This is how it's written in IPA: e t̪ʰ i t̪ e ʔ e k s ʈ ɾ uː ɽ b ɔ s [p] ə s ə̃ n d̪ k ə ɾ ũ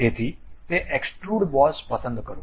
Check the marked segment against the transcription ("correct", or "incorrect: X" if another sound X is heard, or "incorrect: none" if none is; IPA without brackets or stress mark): correct